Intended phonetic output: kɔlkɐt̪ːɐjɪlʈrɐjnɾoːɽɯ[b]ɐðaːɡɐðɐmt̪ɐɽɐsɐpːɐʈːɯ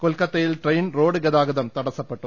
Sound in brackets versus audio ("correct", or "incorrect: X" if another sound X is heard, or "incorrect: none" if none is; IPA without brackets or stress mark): incorrect: ɡ